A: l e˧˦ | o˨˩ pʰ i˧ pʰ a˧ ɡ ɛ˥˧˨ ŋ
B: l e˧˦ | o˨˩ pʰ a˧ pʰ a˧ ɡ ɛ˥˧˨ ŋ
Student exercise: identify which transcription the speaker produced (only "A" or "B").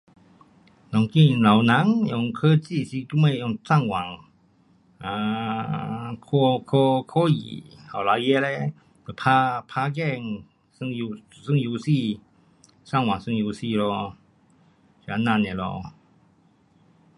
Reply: B